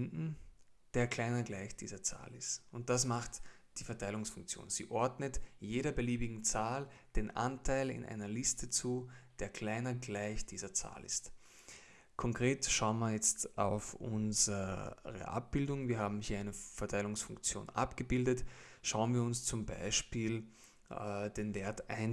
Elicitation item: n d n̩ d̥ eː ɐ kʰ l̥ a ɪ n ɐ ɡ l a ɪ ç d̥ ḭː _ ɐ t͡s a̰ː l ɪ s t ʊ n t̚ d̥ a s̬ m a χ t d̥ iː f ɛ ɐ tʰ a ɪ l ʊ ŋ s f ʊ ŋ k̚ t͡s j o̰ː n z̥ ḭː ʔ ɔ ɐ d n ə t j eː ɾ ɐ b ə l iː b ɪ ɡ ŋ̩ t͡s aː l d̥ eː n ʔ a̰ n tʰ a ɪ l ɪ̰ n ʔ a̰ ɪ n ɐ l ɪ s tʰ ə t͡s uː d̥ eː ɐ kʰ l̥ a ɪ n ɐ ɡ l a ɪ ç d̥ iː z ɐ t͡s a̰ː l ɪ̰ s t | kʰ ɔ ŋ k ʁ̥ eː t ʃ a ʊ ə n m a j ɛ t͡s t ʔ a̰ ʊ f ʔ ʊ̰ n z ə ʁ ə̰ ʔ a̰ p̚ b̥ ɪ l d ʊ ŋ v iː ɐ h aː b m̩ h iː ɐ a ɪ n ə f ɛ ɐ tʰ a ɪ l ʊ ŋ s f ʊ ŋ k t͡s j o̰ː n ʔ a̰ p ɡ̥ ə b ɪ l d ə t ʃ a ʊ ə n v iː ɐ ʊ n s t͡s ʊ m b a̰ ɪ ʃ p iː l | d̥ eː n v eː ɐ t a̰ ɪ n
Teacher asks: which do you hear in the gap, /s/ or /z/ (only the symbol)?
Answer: z